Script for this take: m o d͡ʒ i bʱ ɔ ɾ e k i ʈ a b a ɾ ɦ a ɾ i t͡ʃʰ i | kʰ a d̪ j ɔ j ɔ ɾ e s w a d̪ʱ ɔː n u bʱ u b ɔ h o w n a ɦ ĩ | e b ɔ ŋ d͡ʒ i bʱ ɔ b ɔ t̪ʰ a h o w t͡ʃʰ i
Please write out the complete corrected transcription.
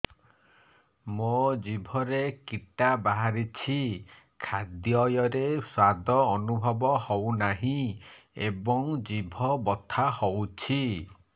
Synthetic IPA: m o d͡ʒ i bʱ ɔ ɾ e k i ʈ a b a ɦ a ɾ i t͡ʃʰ i | kʰ a d̪ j ɔ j ɔ ɾ e s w a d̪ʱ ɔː n u bʱ ɔ b ɔ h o w n a ɦ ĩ | e b ɔ ŋ d͡ʒ i bʱ ɔ b ɔ t̪ʰ a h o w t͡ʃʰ i